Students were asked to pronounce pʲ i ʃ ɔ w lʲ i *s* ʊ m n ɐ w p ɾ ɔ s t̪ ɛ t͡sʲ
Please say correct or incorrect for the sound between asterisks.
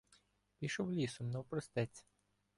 correct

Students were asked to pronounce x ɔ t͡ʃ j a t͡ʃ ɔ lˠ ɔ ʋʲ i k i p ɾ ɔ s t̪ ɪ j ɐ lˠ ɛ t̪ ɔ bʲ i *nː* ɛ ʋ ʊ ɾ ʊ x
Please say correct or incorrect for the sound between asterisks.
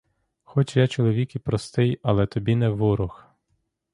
incorrect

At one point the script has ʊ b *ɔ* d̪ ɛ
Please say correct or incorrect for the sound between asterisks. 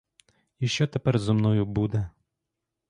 incorrect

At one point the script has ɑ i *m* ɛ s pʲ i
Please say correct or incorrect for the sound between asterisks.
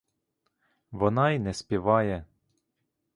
incorrect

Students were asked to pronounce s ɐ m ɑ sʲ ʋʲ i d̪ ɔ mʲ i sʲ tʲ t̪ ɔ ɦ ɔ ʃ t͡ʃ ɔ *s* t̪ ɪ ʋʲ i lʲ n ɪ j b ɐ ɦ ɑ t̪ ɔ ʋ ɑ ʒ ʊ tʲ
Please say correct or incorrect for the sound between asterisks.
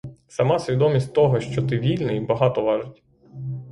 incorrect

